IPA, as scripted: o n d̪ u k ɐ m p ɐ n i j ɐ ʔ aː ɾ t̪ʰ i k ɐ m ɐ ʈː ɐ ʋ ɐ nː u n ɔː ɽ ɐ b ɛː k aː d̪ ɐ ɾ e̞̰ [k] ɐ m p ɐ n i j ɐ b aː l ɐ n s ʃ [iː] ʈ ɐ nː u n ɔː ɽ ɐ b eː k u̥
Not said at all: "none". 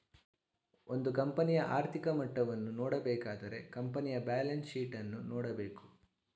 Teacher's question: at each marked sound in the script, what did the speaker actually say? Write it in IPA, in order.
k, iː

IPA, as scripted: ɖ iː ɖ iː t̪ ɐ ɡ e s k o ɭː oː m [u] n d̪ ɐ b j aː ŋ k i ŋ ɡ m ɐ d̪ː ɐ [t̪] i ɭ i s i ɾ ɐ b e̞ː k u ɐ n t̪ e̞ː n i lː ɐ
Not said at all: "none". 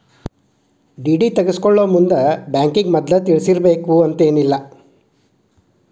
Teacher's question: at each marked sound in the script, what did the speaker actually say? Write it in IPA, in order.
u, t̪

